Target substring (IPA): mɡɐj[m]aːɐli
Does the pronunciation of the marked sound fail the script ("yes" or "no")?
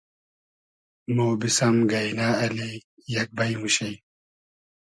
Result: yes